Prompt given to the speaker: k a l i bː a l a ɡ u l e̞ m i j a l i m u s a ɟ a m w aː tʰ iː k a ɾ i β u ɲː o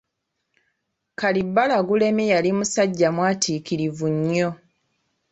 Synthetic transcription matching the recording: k a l i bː a l a ɡ u l e̞ m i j a l i m u s a ɟː a m w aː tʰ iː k i ɾ i v u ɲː o